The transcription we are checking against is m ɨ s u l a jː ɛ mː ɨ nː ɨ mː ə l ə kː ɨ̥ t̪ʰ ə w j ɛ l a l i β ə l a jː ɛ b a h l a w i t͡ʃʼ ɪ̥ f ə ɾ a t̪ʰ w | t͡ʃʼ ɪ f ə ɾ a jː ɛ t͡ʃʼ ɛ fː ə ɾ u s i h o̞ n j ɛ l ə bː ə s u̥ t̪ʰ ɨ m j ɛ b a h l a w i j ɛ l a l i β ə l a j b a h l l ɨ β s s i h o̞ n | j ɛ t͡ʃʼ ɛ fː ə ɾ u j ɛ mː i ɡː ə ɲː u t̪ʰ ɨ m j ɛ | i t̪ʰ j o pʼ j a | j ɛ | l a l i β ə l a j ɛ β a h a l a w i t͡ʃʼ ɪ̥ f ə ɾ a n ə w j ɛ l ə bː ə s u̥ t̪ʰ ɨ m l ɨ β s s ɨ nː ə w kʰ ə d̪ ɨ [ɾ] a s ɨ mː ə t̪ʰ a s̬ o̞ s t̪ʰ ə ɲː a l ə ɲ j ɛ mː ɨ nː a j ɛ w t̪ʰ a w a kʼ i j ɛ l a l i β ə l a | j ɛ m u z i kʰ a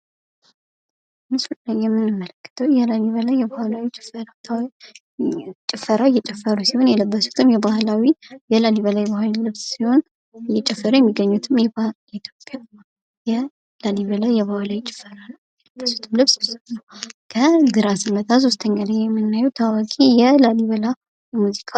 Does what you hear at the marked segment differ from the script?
no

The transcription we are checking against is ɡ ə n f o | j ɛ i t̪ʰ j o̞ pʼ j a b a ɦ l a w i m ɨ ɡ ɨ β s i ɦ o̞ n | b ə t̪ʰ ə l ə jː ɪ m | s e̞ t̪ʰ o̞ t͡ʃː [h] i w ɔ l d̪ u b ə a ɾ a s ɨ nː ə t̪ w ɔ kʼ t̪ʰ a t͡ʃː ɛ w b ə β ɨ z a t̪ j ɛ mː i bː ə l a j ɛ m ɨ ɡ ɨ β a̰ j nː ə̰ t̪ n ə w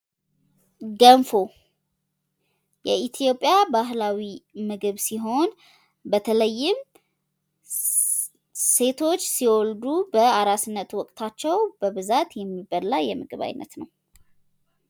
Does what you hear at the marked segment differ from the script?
yes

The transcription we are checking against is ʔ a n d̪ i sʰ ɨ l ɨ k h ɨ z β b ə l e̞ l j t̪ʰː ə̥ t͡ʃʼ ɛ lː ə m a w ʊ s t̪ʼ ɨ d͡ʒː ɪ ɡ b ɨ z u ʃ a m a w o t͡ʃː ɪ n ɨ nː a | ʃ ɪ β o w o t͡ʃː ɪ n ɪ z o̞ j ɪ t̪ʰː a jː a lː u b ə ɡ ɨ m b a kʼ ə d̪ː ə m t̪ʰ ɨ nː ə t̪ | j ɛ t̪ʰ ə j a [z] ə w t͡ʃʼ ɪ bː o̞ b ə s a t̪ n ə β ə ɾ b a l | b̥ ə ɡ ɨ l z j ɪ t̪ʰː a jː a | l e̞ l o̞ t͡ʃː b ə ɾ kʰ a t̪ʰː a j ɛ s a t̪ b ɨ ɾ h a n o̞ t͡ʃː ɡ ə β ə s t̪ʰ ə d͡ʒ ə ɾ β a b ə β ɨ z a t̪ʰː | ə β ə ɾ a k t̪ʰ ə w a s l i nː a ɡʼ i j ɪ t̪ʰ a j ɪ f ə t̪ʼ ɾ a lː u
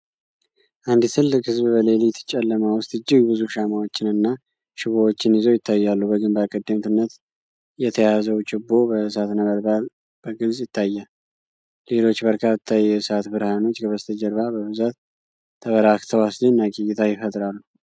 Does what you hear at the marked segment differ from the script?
no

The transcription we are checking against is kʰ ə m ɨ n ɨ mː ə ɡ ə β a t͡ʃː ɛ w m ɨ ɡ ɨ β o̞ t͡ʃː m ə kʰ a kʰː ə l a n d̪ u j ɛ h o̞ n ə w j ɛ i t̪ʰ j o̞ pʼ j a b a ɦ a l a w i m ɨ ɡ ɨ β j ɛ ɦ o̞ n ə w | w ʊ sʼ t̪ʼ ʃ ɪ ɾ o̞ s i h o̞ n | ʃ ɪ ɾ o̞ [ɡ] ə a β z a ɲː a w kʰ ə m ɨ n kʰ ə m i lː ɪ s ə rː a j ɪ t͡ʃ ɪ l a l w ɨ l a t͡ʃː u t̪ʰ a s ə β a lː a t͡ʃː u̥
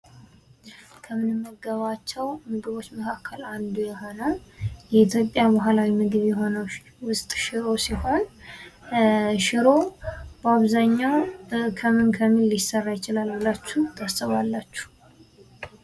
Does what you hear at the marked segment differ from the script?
yes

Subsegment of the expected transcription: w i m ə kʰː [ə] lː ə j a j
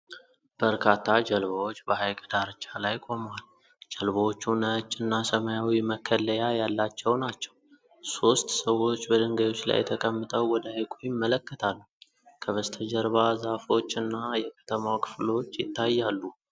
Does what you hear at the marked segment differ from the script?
no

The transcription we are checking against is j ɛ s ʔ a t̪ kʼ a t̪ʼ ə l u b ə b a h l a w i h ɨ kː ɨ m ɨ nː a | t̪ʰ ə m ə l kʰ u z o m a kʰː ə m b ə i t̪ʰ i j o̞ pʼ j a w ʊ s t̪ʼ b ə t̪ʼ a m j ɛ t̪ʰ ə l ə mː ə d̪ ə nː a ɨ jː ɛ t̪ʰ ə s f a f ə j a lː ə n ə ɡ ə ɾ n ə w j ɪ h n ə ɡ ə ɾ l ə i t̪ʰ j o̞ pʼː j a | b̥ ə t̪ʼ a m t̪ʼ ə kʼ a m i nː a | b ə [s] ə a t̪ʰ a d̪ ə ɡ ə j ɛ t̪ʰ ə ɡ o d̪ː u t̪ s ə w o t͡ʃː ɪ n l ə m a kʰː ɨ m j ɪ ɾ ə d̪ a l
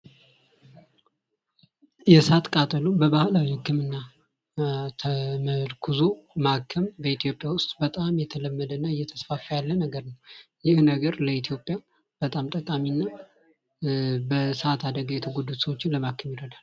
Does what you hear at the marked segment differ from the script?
no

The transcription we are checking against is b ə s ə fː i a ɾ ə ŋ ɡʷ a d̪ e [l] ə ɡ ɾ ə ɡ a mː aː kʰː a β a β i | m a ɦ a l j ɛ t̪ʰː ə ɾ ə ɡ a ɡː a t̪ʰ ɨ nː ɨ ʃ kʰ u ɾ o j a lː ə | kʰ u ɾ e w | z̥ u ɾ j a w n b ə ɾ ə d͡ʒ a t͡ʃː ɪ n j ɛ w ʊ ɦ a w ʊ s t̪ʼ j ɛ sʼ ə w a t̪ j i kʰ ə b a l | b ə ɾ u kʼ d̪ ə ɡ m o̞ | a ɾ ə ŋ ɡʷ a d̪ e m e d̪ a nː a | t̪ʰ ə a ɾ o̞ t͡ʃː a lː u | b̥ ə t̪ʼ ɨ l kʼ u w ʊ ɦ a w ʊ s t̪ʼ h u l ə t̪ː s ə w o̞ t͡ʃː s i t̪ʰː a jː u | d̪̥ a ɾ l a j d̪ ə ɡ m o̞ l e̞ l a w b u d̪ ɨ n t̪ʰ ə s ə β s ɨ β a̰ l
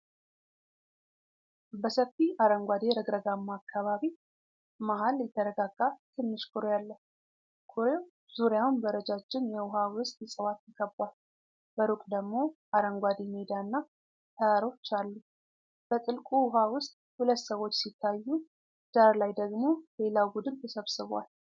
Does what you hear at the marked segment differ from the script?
yes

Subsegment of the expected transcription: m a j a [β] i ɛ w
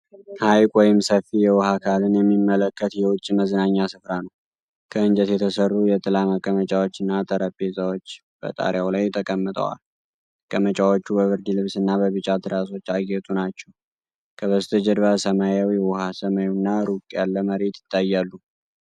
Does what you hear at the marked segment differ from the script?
yes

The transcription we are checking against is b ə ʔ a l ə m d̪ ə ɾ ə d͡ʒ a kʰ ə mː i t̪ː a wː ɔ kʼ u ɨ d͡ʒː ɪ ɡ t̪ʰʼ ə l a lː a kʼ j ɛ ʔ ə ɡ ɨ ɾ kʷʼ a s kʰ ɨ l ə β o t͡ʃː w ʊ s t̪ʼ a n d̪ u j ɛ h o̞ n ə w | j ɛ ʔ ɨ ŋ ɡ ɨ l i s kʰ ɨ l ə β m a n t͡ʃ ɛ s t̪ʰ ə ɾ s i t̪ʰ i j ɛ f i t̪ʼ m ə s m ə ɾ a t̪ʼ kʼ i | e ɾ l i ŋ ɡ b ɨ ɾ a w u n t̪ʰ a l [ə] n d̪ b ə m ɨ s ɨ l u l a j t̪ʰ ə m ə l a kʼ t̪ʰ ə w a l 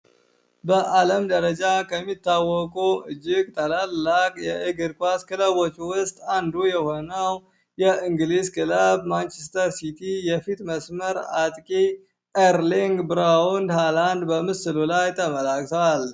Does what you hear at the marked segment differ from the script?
yes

